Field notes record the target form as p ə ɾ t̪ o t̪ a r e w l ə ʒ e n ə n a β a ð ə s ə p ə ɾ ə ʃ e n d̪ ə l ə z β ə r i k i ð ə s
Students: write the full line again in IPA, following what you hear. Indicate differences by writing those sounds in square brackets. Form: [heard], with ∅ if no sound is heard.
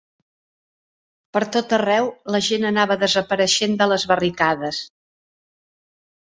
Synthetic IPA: p ə ɾ t̪ o t̪ [ə] r [ɛ] w l ə ʒ e n ə n a β [ə] ð ə [z] ə p ə ɾ ə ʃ e n d̪ ə l ə z β ə r i k [a] ð ə s